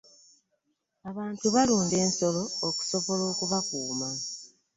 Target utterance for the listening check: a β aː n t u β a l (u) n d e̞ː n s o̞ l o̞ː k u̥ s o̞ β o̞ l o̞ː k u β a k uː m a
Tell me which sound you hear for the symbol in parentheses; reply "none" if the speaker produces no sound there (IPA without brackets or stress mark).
uː